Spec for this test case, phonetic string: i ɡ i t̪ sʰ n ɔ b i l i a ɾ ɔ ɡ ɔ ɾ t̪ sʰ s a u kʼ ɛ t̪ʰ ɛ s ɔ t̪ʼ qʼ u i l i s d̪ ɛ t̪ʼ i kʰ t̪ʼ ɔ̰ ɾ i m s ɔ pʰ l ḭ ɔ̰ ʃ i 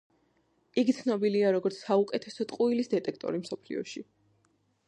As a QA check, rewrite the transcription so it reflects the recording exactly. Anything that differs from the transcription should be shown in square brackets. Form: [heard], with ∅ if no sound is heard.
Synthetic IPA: i ɡ i t̪ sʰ n ɔ b i l i a ɾ ɔ ɡ ɔ ɾ t̪ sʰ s a u kʼ ɛ t̪ʰ ɛ s ɔ t̪ʼ qʼ u i l i s d̪ ɛ t̪ʼ [ɛ] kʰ t̪ʼ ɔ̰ ɾ i m s ɔ pʰ l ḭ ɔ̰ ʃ i